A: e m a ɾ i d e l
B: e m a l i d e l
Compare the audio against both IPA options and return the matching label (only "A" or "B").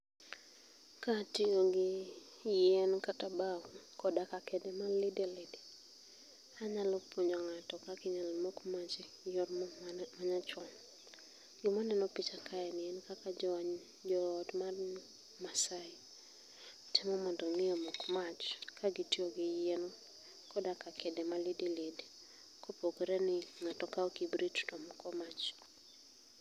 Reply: B